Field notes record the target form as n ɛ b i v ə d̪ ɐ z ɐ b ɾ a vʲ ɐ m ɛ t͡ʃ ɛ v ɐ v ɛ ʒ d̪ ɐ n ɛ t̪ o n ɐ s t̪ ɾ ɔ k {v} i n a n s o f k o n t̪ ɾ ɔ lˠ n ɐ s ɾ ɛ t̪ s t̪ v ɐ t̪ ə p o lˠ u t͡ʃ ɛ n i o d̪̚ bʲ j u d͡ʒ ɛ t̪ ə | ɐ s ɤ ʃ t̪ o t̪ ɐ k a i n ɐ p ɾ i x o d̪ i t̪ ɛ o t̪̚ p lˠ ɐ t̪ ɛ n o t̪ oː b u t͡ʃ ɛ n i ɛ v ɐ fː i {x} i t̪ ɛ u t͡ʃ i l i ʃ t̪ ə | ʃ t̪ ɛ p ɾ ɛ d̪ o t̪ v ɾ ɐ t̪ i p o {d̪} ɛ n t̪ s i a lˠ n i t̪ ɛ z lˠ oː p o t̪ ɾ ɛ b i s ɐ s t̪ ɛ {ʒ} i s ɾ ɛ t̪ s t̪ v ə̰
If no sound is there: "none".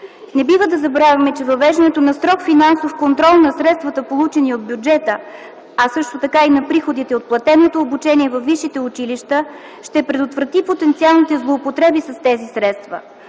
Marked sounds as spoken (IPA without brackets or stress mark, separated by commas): f, ʃ, t̪, z